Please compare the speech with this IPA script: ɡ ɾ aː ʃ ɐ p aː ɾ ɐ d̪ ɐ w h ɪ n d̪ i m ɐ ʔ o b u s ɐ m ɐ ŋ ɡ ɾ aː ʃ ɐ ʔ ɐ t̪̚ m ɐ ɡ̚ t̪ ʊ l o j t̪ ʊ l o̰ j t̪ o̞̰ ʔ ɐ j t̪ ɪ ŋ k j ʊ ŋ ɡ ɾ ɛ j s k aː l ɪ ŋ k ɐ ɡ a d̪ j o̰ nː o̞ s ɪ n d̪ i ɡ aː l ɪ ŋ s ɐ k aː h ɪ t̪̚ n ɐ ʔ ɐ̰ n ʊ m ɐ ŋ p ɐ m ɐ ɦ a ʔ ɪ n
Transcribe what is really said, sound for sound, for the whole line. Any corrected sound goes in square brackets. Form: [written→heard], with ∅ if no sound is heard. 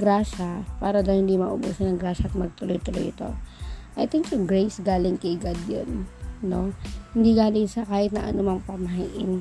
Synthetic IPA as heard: ɡ ɾ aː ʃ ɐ p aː ɾ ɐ d̪ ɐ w h ɪ n d̪ i m ɐ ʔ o b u s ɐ [m→n] ɐ ŋ ɡ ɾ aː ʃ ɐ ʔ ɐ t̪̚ m ɐ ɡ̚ t̪ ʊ l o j t̪ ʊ l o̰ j t̪ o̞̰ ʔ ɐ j t̪ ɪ ŋ k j ʊ ŋ ɡ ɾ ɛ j s [k→ɡ] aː l ɪ ŋ k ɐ ɡ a d̪ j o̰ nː o̞ [s→h] ɪ n d̪ i ɡ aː l ɪ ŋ s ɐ k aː h ɪ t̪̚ n ɐ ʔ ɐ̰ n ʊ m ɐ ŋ p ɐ m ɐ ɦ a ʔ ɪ n